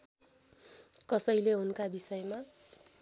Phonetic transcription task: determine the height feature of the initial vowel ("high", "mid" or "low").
mid